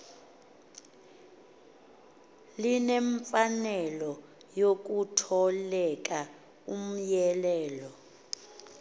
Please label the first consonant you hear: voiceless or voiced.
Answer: voiced